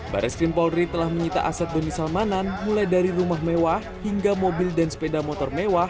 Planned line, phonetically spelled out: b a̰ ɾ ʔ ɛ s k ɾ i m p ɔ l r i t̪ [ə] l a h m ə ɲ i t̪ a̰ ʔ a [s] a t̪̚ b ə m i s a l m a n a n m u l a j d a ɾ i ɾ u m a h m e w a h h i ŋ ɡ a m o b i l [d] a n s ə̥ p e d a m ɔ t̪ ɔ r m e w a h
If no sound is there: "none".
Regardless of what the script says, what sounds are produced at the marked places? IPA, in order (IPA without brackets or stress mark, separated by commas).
ə, s, d